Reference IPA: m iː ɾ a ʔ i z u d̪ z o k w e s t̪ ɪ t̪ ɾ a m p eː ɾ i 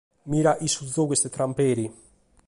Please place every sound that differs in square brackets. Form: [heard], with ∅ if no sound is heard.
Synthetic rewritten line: m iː ɾ a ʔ i [s] u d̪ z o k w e s t̪ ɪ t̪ ɾ a m p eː ɾ i